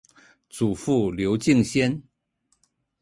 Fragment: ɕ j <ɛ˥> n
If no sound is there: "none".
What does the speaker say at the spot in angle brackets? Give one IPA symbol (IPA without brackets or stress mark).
ɛ˥